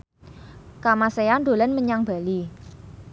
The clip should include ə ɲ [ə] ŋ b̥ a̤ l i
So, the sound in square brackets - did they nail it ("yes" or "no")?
no